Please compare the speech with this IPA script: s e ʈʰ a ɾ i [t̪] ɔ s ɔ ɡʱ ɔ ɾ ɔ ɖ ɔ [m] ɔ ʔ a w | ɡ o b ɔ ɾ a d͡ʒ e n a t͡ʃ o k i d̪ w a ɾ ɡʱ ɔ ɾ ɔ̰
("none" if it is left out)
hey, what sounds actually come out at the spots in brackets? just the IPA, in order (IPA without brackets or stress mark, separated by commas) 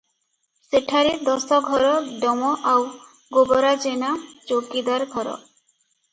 d̪, m